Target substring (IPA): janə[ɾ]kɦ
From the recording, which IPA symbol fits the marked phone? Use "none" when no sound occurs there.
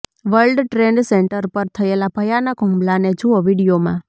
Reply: none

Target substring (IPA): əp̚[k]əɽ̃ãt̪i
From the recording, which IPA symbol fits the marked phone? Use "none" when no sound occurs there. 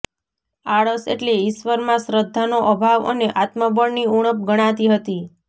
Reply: ɡ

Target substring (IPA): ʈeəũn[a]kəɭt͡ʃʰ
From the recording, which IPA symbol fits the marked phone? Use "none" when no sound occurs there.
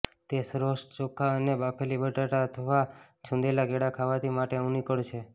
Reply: i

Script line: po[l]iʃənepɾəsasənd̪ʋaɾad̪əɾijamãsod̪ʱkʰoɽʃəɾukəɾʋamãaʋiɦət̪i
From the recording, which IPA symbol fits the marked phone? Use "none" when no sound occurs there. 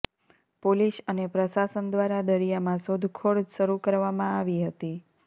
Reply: l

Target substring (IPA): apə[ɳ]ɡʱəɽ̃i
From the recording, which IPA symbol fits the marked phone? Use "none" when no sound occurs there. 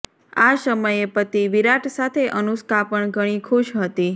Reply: ɳ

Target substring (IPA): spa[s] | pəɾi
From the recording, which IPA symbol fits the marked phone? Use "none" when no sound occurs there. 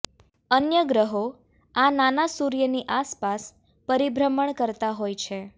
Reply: s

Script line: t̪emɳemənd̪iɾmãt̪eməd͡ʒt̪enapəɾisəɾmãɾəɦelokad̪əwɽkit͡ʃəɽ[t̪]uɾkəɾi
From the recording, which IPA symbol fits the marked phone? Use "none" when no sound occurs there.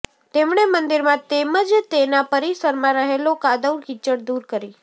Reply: d̪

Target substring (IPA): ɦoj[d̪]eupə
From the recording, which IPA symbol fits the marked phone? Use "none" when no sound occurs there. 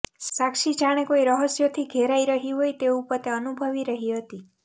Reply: t̪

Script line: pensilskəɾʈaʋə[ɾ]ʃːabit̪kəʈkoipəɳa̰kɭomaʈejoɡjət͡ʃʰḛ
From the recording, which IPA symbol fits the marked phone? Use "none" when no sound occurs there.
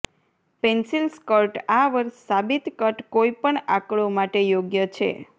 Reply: ɾ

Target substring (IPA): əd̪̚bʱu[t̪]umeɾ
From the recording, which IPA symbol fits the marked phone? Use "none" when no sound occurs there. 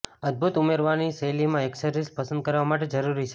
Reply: t̪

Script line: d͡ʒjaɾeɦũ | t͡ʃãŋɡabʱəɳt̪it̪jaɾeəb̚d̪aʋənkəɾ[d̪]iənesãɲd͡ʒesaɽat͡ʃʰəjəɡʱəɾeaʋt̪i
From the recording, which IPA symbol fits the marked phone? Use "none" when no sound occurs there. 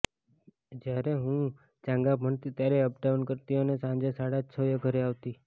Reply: t̪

